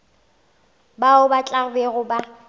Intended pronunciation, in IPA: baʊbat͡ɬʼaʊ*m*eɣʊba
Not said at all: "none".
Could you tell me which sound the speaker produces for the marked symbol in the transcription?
b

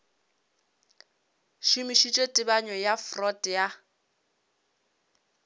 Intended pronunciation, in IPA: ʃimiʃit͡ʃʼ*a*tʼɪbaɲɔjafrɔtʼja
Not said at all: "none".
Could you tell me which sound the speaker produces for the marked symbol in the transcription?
e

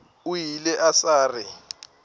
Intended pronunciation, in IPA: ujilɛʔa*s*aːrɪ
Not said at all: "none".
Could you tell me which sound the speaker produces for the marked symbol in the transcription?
s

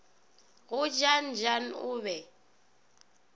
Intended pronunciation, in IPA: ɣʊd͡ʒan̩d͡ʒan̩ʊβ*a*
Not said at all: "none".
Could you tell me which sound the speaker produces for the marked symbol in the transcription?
ɛ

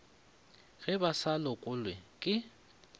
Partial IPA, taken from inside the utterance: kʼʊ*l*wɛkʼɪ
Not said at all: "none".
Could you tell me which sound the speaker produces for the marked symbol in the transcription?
l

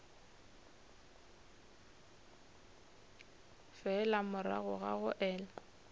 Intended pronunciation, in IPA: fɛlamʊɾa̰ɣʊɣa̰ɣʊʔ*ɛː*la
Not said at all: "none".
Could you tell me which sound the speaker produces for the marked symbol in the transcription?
ɛː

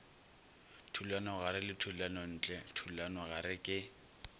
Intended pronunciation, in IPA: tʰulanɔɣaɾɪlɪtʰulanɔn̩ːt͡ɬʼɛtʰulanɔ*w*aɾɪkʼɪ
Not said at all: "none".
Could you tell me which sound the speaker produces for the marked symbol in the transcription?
ɣ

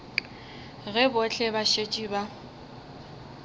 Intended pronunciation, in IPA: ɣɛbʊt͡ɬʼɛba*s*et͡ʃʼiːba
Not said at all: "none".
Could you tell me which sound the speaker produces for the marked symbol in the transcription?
ʃ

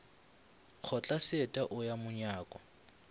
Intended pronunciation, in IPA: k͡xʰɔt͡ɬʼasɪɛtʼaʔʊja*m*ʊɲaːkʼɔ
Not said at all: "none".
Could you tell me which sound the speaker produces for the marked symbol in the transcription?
m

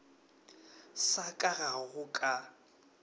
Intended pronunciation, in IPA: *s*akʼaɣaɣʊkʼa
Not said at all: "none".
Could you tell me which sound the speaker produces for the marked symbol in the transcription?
s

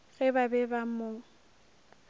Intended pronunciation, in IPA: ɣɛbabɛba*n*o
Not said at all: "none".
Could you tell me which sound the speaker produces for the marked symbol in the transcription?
m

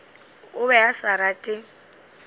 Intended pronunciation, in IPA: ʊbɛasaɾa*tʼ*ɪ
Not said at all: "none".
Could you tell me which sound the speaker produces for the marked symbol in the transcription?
tʼ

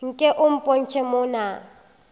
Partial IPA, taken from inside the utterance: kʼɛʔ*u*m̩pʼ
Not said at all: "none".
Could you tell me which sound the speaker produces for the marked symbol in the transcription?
ʊ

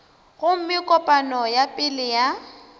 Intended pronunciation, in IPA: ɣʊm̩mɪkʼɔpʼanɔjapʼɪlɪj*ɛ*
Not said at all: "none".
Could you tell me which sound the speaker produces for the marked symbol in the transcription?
a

